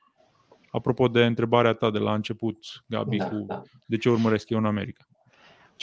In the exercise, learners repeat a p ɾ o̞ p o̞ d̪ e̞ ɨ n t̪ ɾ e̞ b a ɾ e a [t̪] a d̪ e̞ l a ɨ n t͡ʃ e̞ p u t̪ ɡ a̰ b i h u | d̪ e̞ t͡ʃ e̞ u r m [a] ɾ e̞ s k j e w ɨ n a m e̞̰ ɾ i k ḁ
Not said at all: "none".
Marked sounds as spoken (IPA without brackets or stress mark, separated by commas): t̪, ə